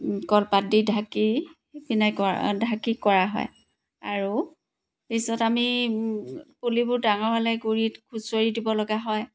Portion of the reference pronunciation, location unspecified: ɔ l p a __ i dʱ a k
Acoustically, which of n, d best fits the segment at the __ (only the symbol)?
d